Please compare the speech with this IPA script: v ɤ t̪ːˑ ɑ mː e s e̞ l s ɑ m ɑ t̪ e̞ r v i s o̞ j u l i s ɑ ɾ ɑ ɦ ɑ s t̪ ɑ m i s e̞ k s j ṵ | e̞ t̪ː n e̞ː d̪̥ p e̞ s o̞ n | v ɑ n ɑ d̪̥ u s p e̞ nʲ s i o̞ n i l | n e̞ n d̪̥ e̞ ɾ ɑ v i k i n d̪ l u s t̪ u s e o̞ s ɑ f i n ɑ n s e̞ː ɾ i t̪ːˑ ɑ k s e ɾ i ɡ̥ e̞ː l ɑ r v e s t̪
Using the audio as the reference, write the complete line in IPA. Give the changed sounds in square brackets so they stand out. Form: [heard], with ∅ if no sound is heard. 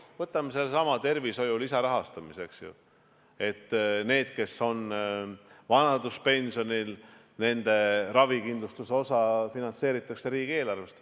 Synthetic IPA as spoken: v ɤ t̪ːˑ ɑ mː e s e̞ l s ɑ m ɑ t̪ e̞ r v i s o̞ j u l i s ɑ ɾ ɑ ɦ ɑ s t̪ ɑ m i s e̞ k s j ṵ | e̞ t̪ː n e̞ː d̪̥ [k] e̞ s o̞ n | v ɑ n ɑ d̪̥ u s p e̞ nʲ s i o̞ n i l | n e̞ n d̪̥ e̞ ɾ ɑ v i k i n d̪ l u s t̪ u s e o̞ s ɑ f i n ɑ n s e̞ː ɾ i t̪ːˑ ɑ k s e ɾ [iː] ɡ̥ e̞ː l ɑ r v e s t̪